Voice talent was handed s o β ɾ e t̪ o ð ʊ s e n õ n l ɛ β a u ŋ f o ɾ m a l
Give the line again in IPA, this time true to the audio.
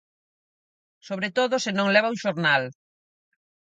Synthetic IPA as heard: s o β ɾ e t̪ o ð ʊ s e n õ ŋ l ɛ β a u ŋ ʃ o ɾ n a l